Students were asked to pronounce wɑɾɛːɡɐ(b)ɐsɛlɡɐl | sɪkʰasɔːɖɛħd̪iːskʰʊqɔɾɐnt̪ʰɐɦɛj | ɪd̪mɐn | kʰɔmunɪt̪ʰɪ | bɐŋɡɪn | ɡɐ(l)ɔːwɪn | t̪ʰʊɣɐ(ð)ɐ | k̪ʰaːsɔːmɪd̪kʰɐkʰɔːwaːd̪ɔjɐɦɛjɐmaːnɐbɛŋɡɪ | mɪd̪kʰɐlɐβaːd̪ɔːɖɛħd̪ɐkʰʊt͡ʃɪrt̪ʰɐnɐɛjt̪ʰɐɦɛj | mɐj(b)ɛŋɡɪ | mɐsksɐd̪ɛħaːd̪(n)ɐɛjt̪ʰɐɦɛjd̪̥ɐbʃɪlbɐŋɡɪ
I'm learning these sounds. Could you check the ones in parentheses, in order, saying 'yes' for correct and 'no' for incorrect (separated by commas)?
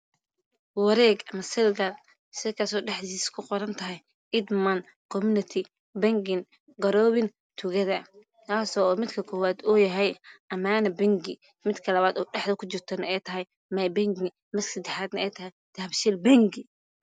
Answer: no, no, yes, yes, yes